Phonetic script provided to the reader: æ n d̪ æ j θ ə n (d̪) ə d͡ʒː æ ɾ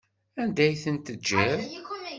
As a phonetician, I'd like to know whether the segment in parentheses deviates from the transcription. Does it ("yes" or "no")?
yes